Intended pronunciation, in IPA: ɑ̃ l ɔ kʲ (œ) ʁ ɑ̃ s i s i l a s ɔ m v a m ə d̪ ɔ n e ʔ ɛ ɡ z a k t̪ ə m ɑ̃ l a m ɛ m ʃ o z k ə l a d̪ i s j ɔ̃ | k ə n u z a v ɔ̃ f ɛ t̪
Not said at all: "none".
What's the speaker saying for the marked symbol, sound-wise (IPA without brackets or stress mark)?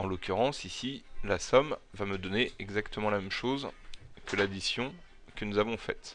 y